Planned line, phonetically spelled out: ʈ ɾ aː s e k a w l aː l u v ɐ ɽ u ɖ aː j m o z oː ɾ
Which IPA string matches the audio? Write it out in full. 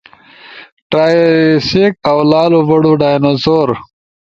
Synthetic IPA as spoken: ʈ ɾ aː s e k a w l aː l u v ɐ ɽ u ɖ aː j n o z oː ɾ